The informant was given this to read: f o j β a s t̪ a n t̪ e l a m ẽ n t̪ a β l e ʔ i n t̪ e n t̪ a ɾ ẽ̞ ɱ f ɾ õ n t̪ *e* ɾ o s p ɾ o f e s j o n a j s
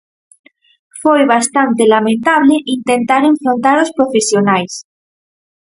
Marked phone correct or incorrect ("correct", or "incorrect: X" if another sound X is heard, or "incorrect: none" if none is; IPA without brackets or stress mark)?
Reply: incorrect: a